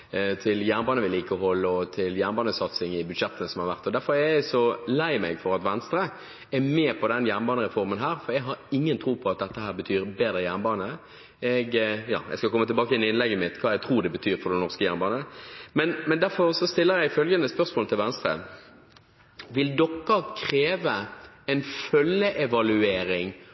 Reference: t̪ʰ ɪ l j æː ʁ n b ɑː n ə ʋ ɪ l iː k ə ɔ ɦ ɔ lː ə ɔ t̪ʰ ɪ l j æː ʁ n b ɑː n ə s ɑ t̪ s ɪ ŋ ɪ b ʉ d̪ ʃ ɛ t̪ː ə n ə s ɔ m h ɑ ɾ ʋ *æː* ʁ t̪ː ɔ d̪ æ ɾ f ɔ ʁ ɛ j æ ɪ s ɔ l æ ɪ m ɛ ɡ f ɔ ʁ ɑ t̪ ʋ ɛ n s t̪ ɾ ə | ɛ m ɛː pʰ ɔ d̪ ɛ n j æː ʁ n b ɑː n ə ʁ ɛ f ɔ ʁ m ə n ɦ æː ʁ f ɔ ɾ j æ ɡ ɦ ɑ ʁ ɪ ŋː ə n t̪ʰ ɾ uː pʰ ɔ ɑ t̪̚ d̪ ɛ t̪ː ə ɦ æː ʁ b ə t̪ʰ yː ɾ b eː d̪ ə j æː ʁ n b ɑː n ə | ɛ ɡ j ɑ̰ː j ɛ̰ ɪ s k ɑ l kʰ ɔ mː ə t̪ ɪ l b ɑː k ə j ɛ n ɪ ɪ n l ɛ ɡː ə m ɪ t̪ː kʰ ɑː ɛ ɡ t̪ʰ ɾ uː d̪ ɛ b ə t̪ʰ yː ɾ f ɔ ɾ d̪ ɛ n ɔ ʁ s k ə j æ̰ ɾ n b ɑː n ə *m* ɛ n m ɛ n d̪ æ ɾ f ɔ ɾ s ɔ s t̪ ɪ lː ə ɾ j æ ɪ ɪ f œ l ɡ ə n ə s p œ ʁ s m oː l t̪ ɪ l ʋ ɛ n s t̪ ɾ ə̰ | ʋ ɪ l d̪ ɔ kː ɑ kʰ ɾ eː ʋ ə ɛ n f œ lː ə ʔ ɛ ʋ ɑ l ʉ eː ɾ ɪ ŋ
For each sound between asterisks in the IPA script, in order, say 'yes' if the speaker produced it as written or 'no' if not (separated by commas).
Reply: no, yes